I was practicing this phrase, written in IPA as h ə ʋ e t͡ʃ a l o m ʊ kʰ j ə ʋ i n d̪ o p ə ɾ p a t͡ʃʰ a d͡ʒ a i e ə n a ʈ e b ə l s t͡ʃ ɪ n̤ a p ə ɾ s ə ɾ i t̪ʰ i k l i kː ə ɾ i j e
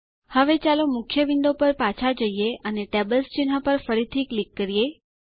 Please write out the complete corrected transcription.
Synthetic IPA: h ə ʋ e t͡ʃ a l o m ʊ kʰ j ə ʋ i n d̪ o p ə ɾ p a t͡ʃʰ a d͡ʒ ə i e ə n e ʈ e b ə l s t͡ʃ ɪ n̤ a p ə ɾ f ə ɾ i t̪ʰ i k l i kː ə ɾ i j e

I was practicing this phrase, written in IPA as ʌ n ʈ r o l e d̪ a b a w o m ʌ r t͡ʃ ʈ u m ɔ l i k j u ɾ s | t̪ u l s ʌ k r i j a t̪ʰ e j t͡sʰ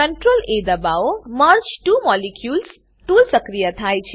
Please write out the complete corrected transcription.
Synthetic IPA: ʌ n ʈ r o l e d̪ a b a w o m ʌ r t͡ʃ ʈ u m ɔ l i k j u l s | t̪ u l s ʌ k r i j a t̪ʰ a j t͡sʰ

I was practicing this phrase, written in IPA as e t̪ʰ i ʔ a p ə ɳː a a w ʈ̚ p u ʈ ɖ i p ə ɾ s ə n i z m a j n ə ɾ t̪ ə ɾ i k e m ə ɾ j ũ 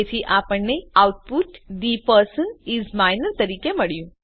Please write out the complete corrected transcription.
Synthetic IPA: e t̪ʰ i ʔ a p ə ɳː e a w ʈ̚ p u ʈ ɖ i p ə ɾ s ə n i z m a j n ə ɾ t̪ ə ɾ i k e m ə ɭ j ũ

